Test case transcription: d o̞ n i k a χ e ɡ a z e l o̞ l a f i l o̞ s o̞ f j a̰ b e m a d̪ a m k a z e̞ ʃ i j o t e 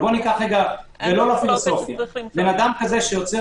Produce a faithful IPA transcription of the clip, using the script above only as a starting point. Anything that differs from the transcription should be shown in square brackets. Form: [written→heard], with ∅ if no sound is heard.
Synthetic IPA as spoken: [d→b] o̞ n i k a χ e ɡ a [z→v] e l o̞ l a f i l o̞ s o̞ f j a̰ b e [m→n] a d̪ a m k a z e̞ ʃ [i→e] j o [t→t͡s] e

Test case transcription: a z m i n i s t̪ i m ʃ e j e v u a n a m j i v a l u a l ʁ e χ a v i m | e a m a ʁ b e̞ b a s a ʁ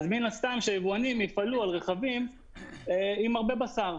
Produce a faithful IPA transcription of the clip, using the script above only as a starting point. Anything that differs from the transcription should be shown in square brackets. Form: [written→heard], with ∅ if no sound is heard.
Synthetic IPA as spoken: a z m i n [i→a] s t̪ [i→a] m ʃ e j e v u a n [a→i] m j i [v→f] a l u a l ʁ e χ a v i m | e [a→i] m a ʁ b e̞ b a s a ʁ

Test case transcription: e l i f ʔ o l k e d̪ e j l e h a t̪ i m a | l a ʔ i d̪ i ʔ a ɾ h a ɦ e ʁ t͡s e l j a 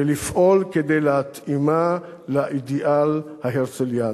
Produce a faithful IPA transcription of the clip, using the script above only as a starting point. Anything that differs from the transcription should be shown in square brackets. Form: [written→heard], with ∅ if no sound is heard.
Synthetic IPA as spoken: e l i f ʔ o l k e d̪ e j l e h a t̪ i m a | l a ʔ i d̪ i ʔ a [ɾ→l] h a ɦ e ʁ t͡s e l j a

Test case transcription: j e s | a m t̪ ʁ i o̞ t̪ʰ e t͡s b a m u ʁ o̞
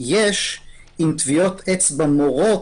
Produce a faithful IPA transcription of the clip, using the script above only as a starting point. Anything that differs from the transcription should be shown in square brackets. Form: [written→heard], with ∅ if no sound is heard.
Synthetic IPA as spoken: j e [s→ʃ] | [a→i] m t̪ [ʁ→v] i o̞ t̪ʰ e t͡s b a m [u→o] ʁ o̞

